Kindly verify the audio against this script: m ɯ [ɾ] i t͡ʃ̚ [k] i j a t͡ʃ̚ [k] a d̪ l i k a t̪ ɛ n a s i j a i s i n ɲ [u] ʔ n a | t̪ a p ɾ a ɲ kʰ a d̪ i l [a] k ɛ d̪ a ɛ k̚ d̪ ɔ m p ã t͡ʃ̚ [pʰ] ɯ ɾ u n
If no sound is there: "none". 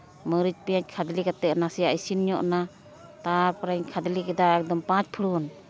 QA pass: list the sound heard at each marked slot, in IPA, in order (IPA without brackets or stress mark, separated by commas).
ɾ, p, kʰ, ɔ, i, pʰ